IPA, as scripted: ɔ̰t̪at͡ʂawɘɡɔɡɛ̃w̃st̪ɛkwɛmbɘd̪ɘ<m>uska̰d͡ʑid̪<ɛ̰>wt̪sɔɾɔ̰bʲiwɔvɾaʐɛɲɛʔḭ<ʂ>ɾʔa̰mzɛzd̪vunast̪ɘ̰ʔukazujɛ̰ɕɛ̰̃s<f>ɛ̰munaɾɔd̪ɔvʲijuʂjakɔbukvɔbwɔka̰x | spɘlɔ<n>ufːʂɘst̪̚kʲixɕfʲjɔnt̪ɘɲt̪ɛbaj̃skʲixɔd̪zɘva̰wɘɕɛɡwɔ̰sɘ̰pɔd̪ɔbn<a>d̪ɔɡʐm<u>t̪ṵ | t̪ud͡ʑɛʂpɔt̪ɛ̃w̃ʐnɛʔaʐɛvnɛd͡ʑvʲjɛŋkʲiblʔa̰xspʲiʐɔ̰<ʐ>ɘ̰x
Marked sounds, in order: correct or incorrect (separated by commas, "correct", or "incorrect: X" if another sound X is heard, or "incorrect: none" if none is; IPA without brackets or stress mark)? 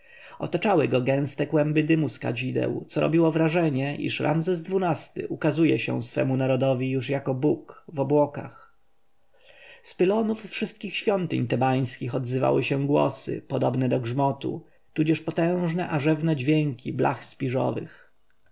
correct, correct, correct, correct, correct, incorrect: ɛ, incorrect: ɔ, incorrect: v